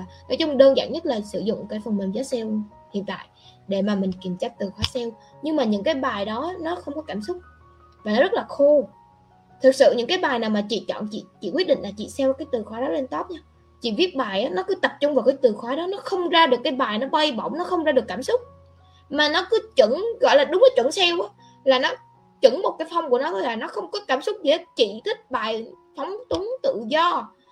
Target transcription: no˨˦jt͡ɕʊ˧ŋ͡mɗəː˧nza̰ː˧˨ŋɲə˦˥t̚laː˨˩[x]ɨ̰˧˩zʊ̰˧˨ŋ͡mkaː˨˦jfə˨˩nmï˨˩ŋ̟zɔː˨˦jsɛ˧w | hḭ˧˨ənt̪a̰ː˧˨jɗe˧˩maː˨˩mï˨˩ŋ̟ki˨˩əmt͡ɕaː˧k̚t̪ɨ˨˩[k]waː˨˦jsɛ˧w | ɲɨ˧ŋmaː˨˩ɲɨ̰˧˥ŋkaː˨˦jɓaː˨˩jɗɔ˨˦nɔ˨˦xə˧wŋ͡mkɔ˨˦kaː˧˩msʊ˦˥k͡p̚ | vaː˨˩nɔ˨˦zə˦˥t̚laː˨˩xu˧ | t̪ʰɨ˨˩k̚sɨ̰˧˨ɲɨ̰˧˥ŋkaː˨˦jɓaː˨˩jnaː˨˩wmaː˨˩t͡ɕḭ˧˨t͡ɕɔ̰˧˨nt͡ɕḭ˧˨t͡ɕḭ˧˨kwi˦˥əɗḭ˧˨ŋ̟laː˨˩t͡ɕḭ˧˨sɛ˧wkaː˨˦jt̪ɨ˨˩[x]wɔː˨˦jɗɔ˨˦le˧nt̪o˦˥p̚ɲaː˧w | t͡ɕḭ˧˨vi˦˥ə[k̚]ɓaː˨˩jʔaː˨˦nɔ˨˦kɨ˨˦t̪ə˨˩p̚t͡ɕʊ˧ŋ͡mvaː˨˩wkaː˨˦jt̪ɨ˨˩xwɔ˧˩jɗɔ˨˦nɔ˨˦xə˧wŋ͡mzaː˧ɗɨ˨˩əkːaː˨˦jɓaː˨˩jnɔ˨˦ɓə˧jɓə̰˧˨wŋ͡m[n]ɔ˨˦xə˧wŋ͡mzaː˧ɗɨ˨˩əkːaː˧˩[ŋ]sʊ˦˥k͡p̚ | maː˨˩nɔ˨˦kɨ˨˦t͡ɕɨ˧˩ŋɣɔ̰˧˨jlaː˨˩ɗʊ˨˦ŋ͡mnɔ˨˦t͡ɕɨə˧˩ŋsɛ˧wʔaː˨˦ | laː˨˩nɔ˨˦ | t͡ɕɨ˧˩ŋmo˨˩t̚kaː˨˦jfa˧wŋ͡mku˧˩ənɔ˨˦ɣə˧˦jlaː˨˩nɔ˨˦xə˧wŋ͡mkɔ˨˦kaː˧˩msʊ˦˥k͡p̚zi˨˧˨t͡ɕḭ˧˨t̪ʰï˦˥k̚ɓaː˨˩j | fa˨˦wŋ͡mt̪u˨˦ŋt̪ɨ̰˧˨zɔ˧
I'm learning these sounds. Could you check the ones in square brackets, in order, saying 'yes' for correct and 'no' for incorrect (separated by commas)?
no, no, yes, no, yes, no